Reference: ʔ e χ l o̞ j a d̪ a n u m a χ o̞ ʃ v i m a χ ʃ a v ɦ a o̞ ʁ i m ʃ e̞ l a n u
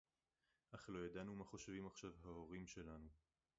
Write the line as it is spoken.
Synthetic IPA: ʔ a χ l o̞ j a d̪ a n u m a χ o̞ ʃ v i m a χ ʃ a v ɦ a o̞ ʁ i m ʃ e̞ l a n u